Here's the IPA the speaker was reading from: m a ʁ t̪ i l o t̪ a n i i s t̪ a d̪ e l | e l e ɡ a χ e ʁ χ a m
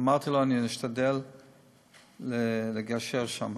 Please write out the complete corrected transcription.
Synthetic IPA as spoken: m a ʁ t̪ i l o a n i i ʃ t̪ a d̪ e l | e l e ɡ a ʃ e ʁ ʃ a m

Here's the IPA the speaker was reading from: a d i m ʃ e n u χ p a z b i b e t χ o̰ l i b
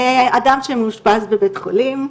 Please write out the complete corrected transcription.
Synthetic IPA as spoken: a d a m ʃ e m u ʃ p a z b e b e t χ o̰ l i m

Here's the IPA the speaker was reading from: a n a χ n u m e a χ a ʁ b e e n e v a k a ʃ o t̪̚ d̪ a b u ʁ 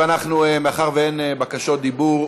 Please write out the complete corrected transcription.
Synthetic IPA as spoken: a n a χ n u m e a χ a ʁ v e e n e b a k a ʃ o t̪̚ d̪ i b u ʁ

